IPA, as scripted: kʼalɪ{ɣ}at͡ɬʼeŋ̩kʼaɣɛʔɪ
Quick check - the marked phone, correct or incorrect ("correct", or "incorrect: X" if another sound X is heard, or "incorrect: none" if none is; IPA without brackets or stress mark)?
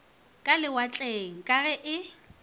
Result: incorrect: w